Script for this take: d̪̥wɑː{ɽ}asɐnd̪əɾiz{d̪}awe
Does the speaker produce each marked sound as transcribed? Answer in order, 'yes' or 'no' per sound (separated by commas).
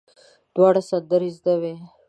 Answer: yes, yes